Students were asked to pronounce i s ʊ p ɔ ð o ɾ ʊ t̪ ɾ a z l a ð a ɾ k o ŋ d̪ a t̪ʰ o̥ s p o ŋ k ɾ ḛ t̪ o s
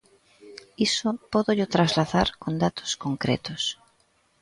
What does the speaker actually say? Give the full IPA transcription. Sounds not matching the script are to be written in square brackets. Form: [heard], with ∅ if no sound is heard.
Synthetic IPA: i s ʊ p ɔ ð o [ʎ] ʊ t̪ ɾ a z l a ð a ɾ k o [n] d̪ a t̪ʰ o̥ s [k] o ŋ k ɾ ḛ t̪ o s

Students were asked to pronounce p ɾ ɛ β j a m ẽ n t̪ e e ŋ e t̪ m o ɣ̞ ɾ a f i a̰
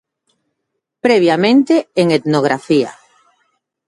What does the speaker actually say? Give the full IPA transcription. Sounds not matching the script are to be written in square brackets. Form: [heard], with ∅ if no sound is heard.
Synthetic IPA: p ɾ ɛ β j a m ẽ n t̪ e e ŋ e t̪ [n] o ɣ̞ ɾ a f i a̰

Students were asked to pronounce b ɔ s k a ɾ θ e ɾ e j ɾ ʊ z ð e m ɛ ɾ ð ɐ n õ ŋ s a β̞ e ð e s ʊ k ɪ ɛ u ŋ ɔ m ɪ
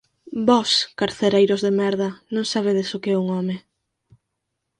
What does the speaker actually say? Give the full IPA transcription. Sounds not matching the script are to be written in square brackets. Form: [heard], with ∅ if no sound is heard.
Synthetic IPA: b ɔ s k a ɾ θ e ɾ e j ɾ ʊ z ð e m ɛ ɾ ð ɐ n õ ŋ s a β̞ e ð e s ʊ k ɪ ɛ u ŋ ɔ m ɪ

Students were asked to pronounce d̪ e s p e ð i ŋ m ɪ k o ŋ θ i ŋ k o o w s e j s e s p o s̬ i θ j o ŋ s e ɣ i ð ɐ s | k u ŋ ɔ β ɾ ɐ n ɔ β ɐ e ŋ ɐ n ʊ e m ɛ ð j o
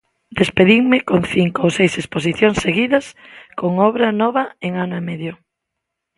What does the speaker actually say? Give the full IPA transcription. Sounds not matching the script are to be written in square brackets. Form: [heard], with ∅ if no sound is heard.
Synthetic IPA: d̪ e s p e ð i ŋ m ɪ k o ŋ θ i ŋ k o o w s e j s e s p o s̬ i θ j o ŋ s e ɣ i ð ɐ s | k [o] ŋ ɔ β ɾ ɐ n ɔ β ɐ e ŋ [a] n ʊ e m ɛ ð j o

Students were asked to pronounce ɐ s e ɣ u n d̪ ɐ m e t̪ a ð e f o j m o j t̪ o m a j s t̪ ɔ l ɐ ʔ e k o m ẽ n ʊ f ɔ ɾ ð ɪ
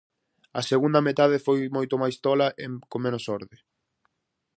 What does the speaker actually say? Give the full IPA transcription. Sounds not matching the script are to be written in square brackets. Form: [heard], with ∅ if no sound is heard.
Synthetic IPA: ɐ s e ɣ u n d̪ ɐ m e t̪ a ð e f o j m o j t̪ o m a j s t̪ ɔ l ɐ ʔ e k o m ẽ n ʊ [s] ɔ ɾ ð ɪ

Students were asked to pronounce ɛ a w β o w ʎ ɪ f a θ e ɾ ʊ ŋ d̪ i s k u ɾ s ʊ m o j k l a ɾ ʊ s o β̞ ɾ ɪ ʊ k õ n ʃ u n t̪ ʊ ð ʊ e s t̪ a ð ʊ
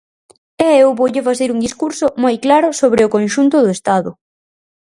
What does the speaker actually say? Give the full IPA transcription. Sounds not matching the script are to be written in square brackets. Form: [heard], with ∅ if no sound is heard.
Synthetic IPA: ɛ [e] w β o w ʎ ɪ f a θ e ɾ [u] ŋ d̪ i s k u ɾ s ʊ m o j k l a ɾ ʊ s o β̞ ɾ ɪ ʊ k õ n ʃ u n t̪ ʊ ð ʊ e s t̪ a ð ʊ

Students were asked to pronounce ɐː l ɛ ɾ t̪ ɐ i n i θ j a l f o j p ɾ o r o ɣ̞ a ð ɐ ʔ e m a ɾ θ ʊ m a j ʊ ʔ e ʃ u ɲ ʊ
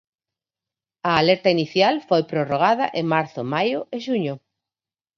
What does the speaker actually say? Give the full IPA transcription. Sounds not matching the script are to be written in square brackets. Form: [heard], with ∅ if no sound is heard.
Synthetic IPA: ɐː l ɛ ɾ t̪ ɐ i n i θ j a l f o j p ɾ o r o ɣ̞ a ð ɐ ʔ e m a ɾ θ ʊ m a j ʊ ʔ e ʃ u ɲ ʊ

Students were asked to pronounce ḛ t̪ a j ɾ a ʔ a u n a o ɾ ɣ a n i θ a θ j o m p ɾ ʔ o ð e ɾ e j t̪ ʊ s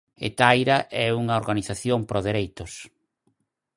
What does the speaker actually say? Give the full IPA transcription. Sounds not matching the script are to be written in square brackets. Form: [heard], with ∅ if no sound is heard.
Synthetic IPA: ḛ t̪ a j ɾ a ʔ [ɛ] u [ŋ] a o ɾ ɣ a n i θ a θ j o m p ɾ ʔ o ð e ɾ e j t̪ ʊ s

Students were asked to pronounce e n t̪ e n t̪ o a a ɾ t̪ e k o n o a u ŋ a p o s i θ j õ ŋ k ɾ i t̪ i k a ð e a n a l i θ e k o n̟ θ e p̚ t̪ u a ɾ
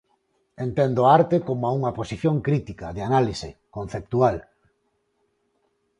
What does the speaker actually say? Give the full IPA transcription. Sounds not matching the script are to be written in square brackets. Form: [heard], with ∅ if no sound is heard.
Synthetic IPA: e n t̪ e n [d̪] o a a ɾ t̪ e k o [m] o a u ŋ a p o s i θ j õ ŋ k ɾ i t̪ i k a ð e a n a l i [s] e k o n̟ θ e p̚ t̪ u a [l]

